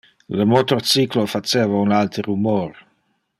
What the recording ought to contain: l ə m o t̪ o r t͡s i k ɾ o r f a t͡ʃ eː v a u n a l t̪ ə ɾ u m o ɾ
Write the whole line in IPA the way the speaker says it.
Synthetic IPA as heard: l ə m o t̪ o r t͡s i k l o f a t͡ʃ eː v a u n a l t̪ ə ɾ u m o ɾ